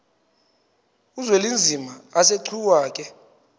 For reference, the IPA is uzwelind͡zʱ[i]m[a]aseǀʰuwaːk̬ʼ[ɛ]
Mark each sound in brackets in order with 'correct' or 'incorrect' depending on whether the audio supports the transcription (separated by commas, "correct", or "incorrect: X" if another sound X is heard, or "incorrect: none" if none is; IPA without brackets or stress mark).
correct, correct, correct